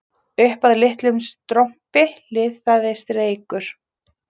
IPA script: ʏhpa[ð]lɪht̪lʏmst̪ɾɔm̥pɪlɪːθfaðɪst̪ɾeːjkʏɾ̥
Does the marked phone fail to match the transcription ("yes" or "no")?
no